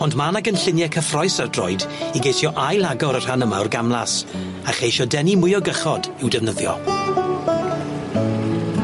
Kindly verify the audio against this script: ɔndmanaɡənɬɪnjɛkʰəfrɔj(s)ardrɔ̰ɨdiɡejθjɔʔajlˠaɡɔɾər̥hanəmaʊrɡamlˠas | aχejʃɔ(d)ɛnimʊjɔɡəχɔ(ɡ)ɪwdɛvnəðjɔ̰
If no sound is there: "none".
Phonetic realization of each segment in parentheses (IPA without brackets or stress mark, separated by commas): s, d, d